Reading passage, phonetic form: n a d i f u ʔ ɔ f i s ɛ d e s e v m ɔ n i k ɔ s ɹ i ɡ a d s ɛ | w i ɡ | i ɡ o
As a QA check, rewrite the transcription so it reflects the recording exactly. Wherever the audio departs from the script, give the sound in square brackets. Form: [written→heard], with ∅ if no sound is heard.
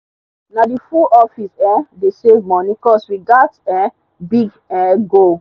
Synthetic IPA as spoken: n a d i f u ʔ ɔ f i s ɛ d e s e v m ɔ n i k ɔ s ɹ i ɡ a d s ɛ | [w→b] i ɡ | [i→ɛ] ɡ o